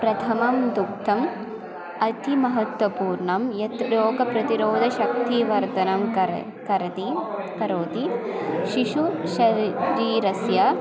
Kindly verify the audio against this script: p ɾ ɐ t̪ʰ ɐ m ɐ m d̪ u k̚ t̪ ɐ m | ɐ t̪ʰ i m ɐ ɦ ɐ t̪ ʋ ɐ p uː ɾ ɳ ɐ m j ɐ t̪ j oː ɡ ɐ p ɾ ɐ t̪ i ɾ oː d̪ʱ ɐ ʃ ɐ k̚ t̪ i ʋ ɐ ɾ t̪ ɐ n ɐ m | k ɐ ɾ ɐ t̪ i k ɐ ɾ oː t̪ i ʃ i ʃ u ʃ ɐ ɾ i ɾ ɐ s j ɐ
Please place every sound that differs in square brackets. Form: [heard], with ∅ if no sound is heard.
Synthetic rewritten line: p ɾ ɐ t̪ʰ ɐ m ɐ m d̪ u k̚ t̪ ɐ m | ɐ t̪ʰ i m ɐ ɦ ɐ t̪ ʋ ɐ p uː ɾ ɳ ɐ m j ɐ t̪ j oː ɡ ɐ p ɾ ɐ t̪ i ɾ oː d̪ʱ ɐ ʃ ɐ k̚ t̪ i ʋ ɐ ɾ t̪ ɐ n ɐ m | k ɐ ɾ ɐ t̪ i k ɐ ɾ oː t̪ i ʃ i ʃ u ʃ ɐ ɾ [iː] ɾ ɐ s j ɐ